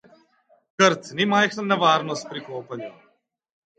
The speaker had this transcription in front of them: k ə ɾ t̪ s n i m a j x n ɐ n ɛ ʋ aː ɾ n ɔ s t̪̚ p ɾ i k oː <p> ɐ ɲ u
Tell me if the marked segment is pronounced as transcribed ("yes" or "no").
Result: yes